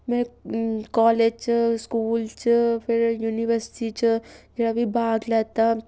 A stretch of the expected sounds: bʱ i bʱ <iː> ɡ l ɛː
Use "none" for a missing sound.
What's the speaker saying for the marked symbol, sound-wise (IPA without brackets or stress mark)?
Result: aː